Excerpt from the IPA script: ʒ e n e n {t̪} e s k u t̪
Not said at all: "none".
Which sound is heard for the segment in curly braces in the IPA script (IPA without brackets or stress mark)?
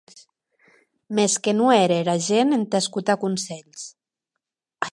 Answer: t̪